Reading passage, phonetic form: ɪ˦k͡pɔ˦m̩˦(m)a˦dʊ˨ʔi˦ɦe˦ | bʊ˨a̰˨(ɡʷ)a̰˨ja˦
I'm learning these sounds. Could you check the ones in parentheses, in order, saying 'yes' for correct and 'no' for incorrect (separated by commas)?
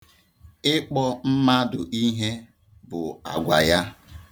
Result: yes, yes